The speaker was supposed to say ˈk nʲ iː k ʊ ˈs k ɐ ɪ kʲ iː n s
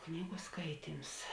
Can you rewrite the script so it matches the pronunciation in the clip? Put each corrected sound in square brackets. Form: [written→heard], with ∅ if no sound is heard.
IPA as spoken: ˈk nʲ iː [k→ɡ] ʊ ˈs k ɐ ɪ [kʲ→tʲ] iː [n→m] s